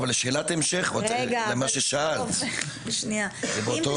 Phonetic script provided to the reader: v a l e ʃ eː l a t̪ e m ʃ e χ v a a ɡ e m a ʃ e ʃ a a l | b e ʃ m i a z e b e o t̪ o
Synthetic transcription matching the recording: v a l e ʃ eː l a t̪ e m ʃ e χ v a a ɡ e m a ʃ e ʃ a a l | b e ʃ n i a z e b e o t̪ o